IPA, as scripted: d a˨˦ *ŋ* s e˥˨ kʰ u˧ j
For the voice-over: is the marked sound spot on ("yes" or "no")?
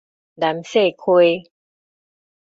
no